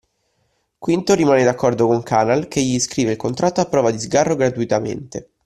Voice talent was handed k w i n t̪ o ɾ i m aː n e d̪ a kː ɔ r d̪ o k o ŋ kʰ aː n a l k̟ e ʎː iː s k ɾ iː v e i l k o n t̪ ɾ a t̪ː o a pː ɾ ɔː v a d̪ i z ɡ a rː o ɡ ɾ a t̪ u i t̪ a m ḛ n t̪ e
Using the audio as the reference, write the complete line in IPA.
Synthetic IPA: k w i n t̪ o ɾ i m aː n e d̪ a kː ɔ r d̪ o k o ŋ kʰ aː n a l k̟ e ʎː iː s k ɾ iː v e i l k o n t̪ ɾ a t̪ː o a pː ɾ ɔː v a d̪ i z ɡ a rː o ɡ ɾ a t̪ u i t̪ a m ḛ n t̪ e